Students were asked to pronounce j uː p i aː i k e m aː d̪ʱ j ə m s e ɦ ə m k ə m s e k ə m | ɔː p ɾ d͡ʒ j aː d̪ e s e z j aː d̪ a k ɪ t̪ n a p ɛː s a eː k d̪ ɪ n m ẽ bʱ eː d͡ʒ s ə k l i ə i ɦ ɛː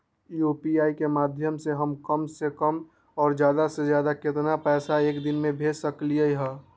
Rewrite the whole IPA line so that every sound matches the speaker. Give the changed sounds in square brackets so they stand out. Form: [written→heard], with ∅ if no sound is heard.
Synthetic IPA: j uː p i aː i k e m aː d̪ʱ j ə m s e ɦ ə m k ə m s e k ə m | ɔː [p→∅] ɾ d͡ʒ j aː d̪ [e→a] s e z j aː d̪ a k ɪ t̪ n a p ɛː s a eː k d̪ ɪ n m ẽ bʱ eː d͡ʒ s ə k l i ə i ɦ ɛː